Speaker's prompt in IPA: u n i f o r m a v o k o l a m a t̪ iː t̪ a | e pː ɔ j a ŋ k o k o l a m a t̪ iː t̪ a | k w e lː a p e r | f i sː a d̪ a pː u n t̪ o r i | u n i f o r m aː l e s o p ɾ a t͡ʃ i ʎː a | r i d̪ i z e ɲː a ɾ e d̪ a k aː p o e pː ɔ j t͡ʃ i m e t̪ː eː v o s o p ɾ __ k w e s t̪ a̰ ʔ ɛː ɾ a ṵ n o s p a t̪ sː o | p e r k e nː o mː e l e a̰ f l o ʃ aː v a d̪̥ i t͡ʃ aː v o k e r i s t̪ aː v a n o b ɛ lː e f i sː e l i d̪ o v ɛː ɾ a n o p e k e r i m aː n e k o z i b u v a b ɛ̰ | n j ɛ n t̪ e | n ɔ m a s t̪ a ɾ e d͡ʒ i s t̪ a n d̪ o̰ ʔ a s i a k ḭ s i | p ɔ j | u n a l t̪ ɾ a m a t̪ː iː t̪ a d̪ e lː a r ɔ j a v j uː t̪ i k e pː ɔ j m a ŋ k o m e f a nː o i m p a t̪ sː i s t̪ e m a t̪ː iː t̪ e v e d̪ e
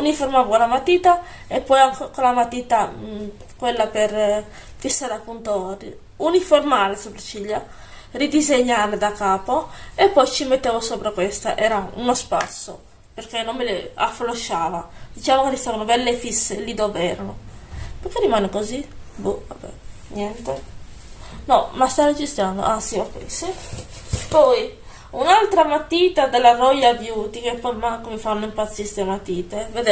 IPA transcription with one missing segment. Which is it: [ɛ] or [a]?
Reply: a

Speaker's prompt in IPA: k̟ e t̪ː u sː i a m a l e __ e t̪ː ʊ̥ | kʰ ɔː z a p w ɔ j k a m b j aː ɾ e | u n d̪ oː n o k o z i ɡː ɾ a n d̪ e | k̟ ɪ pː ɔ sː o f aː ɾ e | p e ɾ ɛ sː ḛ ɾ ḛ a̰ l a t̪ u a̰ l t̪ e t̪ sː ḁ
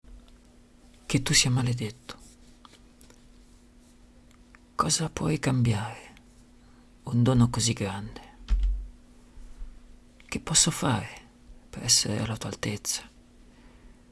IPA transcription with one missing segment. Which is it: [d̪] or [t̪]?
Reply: d̪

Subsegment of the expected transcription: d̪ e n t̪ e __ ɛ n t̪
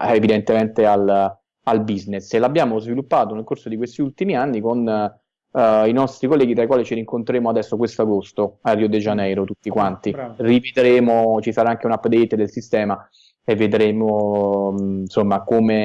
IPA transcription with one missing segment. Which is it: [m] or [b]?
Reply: m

